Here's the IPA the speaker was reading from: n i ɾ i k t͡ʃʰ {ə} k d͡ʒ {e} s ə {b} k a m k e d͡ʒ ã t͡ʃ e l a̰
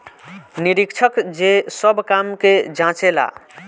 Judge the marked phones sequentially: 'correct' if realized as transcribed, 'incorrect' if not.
correct, correct, correct

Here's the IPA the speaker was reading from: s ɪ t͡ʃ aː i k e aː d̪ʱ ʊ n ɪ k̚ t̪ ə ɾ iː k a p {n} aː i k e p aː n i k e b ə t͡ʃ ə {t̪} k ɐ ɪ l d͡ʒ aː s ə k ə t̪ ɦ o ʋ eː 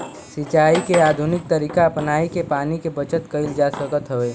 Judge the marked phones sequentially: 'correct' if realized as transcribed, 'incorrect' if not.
correct, correct

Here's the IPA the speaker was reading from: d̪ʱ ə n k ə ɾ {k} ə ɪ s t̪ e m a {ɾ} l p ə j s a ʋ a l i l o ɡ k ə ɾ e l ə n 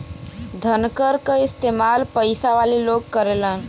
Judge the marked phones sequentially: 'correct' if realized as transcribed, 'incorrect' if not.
correct, incorrect: none

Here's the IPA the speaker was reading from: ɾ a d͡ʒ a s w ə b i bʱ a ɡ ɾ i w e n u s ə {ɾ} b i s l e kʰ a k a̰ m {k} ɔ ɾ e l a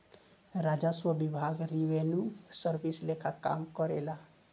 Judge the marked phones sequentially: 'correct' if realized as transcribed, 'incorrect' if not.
correct, correct

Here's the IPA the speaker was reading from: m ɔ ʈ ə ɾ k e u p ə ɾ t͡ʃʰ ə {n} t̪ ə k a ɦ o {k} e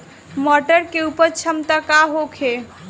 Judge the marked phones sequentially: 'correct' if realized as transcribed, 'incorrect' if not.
incorrect: m, incorrect: kʰ

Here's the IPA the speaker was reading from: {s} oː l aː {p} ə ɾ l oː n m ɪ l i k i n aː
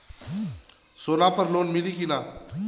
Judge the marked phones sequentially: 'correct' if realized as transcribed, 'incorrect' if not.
correct, correct

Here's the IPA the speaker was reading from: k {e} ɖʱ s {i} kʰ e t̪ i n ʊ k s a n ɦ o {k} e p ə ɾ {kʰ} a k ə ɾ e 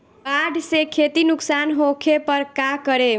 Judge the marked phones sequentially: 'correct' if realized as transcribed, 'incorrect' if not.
incorrect: a, incorrect: e, incorrect: kʰ, incorrect: k

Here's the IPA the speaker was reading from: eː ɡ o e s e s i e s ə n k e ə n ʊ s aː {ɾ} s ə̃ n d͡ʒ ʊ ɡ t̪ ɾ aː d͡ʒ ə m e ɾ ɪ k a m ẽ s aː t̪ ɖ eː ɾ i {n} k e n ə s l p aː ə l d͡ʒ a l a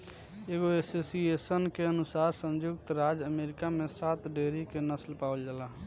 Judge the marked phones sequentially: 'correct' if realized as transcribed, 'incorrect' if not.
correct, incorrect: none

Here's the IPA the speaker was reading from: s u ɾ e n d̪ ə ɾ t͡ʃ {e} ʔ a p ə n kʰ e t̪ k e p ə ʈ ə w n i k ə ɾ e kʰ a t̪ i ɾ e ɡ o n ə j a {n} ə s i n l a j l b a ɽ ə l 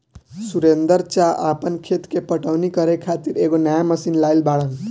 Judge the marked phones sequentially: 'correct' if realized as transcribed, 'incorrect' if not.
incorrect: a, incorrect: m

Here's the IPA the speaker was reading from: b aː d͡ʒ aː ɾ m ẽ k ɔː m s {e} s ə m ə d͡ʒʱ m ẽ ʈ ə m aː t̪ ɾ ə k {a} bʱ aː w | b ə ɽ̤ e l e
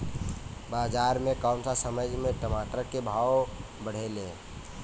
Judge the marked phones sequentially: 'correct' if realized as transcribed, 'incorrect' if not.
incorrect: a, incorrect: e

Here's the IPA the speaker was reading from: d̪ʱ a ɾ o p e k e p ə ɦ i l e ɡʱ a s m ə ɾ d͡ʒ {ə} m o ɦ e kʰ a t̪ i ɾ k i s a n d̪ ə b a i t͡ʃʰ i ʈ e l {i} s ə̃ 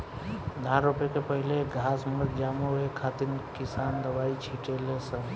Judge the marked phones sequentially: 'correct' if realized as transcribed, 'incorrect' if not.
incorrect: a, incorrect: e

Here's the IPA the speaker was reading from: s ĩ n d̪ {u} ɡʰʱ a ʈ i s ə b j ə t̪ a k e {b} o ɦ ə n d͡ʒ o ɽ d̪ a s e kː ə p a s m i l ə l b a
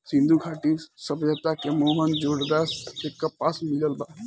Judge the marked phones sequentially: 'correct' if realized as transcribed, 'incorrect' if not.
correct, incorrect: m

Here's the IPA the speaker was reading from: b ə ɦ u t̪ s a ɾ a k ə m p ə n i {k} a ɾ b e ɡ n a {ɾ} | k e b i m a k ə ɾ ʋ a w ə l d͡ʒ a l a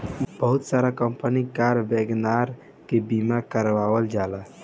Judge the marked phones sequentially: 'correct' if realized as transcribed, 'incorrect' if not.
correct, correct

